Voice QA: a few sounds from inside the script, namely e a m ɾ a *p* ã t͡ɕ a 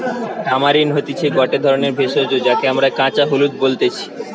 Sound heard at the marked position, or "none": k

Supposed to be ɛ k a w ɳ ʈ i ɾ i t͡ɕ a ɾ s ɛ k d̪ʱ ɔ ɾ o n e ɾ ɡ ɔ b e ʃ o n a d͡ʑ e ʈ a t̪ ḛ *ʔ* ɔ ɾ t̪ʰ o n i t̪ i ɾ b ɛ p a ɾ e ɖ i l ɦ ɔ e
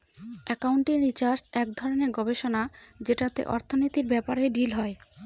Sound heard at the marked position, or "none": ʔ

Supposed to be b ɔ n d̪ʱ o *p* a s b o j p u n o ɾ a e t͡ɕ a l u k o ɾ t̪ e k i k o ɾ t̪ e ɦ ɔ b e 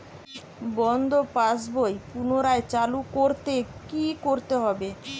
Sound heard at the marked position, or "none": p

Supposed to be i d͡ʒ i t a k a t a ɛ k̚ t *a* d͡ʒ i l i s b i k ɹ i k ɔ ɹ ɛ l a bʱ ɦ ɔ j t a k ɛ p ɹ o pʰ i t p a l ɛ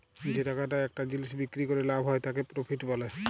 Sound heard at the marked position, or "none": a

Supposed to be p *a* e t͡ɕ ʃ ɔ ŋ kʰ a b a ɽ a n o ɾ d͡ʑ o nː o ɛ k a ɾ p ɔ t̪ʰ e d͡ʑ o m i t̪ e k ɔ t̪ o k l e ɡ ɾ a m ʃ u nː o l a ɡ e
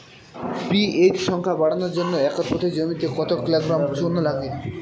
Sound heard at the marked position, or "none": i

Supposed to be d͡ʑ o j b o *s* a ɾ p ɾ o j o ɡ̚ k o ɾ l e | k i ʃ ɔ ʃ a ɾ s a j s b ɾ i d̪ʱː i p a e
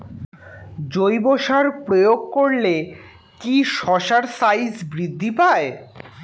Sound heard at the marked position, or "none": ʃ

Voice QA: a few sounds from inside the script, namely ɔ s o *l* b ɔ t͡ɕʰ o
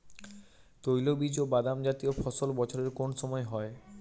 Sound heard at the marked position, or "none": l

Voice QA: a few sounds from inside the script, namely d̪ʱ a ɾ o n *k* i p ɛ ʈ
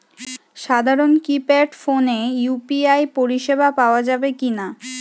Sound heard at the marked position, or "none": k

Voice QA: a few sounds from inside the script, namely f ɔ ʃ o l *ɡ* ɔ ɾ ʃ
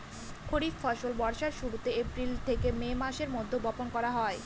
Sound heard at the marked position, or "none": b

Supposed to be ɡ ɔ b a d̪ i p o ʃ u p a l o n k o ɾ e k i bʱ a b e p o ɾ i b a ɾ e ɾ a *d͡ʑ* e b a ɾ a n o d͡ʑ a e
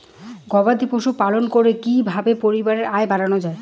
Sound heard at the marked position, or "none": none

